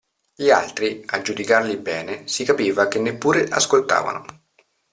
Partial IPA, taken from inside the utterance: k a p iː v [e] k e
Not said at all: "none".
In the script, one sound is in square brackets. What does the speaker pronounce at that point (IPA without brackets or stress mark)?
a